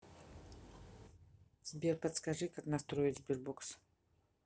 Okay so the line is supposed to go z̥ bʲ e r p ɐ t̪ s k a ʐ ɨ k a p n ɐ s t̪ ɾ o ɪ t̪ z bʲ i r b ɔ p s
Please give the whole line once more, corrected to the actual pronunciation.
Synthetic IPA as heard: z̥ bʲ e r p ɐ t̪ s k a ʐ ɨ k a k n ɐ s t̪ ɾ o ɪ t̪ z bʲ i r b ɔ k s